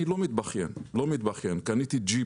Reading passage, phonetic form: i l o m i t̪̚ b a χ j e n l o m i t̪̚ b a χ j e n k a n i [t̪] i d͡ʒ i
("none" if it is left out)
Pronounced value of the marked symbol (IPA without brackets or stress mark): t̪